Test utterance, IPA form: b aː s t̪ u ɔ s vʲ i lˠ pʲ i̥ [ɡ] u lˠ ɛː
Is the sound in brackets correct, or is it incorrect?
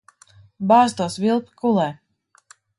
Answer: incorrect